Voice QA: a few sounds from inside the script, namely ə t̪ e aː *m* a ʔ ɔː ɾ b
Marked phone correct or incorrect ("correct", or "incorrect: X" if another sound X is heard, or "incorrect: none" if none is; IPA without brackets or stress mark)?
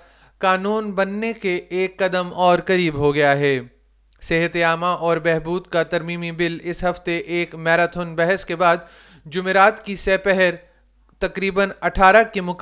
correct